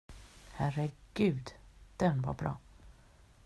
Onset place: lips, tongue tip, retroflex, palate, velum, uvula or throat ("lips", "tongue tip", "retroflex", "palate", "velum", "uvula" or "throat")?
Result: throat